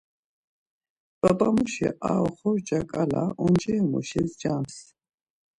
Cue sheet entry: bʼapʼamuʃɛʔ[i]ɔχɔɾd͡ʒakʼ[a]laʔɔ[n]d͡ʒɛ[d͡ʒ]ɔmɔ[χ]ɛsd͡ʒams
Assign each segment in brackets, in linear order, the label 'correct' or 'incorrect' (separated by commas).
incorrect, correct, correct, incorrect, incorrect